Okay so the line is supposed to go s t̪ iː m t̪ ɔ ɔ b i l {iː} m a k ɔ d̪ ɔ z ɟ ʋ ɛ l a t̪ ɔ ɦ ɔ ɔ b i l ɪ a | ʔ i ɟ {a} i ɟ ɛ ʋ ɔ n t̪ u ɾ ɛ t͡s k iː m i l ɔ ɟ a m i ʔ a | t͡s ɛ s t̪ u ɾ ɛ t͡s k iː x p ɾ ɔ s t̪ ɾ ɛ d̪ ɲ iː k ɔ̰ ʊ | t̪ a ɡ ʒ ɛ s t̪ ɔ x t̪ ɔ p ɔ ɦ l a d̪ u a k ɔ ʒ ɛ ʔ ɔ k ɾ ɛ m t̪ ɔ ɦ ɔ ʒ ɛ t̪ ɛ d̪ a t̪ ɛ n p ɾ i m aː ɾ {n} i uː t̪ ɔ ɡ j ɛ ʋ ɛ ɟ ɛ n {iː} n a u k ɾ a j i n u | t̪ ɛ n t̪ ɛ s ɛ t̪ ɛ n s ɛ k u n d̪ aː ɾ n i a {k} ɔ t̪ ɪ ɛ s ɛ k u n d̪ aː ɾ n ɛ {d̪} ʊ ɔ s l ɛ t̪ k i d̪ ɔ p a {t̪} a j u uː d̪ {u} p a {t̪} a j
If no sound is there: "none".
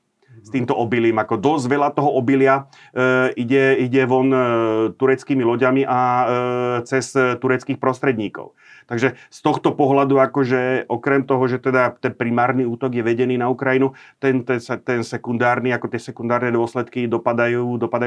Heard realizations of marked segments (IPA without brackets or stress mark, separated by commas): iː, ɛ, n, iː, k, d̪, d̪, ɔ, d̪